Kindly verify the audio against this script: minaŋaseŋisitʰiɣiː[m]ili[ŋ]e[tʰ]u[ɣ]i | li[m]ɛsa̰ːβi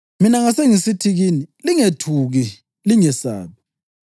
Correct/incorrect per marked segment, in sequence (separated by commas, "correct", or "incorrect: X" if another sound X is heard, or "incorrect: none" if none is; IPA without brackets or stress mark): incorrect: n, correct, correct, correct, incorrect: ŋ